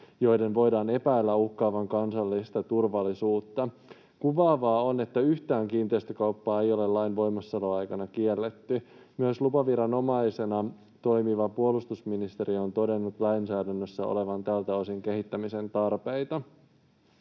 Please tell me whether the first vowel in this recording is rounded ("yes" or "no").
yes